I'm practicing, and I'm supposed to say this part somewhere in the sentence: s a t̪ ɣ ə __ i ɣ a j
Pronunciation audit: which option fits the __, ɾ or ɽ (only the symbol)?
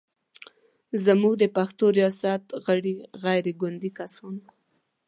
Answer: ɽ